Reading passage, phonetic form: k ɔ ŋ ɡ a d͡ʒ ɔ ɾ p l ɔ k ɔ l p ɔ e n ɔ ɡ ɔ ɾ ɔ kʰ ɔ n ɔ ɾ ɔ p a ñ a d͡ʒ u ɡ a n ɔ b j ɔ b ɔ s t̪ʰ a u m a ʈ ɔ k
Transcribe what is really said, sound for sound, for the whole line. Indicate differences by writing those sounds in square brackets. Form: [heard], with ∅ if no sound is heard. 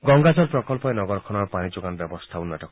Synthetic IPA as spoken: [ɡ] ɔ ŋ ɡ a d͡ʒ ɔ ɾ p [ɾ] ɔ k ɔ l p ɔ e n ɔ ɡ ɔ ɾ ɔ kʰ ɔ n ɔ ɾ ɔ p a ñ [i] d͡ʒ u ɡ a n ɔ b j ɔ b ɔ s t̪ʰ a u [n] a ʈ ɔ k